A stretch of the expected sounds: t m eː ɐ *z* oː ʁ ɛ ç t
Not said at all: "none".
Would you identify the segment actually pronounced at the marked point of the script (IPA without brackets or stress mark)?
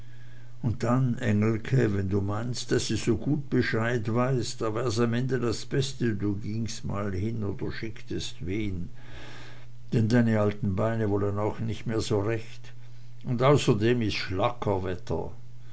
z